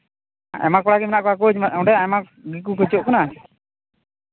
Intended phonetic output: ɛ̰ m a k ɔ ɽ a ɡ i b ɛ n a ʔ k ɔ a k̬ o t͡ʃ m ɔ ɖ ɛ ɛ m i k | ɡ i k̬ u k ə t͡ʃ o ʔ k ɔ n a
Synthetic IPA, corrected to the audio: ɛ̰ m a k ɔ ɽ a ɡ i m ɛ n a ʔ k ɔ a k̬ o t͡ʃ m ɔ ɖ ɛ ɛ m a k | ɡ i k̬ u k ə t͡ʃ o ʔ k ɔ n a